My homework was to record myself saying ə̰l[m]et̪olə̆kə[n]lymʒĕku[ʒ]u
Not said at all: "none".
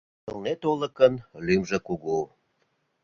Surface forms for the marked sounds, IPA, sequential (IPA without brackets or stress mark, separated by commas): n, n, ɣ